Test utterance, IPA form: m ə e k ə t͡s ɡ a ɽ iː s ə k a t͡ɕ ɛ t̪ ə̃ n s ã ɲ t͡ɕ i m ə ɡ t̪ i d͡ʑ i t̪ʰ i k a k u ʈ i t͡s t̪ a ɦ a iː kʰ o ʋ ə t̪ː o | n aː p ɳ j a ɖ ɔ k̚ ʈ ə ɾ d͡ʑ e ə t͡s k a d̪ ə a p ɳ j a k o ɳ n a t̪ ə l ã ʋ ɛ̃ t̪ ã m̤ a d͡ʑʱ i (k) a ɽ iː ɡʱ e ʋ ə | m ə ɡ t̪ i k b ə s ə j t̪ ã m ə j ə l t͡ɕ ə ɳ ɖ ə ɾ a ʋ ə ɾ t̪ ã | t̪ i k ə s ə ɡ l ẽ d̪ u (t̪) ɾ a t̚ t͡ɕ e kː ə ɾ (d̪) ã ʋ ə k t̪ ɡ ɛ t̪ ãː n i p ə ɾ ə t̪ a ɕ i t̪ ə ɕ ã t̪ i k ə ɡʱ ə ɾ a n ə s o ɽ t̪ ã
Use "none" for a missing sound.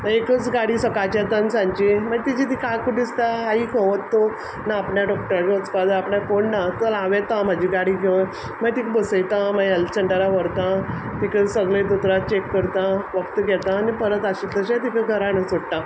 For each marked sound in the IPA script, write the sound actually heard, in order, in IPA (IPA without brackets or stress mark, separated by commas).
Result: ɡ, t̪, t̪